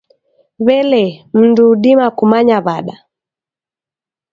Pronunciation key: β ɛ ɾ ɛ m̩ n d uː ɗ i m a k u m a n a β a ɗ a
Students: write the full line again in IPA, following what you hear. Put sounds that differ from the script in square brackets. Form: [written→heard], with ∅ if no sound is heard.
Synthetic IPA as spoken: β ɛ [ɾ→l] ɛ m̩ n d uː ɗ i m a k u m a [n→ɲ] a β a ɗ a